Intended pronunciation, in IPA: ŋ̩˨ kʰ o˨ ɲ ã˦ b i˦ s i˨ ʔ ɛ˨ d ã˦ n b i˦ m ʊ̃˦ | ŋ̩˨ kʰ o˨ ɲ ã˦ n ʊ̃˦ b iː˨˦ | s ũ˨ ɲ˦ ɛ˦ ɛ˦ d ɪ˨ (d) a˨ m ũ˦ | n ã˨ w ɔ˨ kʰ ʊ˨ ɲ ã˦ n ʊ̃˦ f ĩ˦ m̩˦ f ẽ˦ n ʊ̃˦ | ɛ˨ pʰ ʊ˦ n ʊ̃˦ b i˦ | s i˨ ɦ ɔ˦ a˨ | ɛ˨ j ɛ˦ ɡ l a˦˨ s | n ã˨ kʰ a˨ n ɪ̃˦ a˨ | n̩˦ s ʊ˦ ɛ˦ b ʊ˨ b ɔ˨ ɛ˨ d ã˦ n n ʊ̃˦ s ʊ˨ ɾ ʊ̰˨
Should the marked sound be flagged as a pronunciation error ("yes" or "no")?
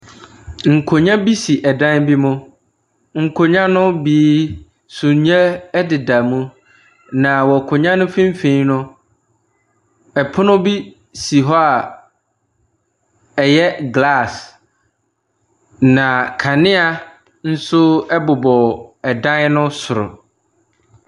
no